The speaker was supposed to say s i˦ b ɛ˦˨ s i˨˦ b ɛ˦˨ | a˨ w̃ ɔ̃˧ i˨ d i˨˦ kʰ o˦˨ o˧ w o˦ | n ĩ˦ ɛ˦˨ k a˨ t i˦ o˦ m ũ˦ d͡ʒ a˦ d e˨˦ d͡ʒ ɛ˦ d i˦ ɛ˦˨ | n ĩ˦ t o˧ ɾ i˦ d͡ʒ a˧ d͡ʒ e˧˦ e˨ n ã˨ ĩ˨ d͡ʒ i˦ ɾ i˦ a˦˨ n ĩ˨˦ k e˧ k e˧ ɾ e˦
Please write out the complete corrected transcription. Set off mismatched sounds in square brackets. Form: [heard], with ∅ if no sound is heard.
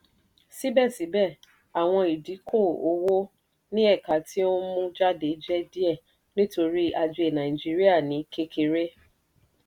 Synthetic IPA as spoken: s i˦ b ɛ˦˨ s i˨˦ b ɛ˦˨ | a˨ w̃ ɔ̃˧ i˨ d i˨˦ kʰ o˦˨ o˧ w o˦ | n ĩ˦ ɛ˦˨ k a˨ t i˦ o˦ m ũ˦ d͡ʒ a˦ d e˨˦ d͡ʒ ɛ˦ d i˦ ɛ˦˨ | n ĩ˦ t o˧ ɾ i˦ [∅] a˧ d͡ʒ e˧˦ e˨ n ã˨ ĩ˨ d͡ʒ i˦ ɾ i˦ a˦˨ n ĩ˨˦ k e˧ k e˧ ɾ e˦